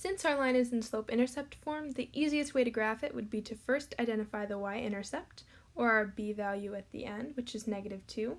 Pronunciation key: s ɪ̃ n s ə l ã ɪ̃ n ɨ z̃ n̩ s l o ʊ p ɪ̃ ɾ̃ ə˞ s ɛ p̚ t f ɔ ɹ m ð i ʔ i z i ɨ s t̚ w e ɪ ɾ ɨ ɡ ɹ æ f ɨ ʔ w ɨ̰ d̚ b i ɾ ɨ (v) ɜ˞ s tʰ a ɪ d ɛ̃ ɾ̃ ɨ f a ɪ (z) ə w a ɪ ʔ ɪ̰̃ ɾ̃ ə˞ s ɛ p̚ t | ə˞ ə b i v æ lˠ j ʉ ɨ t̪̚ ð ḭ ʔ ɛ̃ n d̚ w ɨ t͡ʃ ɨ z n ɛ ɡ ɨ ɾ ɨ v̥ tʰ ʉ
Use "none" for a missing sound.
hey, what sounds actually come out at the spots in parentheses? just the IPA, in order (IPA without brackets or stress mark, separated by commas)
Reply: f, ð